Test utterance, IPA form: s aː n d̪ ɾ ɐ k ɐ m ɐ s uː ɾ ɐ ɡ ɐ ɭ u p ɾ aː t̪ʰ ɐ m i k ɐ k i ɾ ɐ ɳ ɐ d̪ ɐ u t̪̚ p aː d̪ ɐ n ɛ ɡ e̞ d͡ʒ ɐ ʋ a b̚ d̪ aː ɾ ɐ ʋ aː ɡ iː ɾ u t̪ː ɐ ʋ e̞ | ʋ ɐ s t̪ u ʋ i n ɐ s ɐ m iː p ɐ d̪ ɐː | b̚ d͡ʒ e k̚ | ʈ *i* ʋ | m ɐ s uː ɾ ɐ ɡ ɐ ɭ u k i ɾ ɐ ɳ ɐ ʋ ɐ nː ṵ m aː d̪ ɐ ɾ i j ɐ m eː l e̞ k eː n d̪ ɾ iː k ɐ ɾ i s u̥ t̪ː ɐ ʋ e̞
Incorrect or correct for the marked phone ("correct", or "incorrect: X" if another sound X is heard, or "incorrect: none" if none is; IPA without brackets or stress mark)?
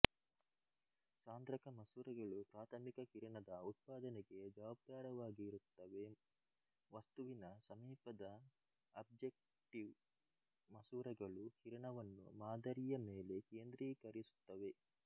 correct